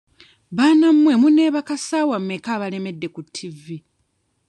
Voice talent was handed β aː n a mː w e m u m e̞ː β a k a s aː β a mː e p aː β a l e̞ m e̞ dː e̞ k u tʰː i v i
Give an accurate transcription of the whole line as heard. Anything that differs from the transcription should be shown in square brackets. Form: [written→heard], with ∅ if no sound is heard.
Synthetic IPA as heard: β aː n a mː w e m u [m→n] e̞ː β a k a s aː [β→w] a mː e [p→k] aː β a l e̞ m e̞ dː e̞ k u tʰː i v i